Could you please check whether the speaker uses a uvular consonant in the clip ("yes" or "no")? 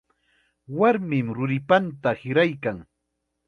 no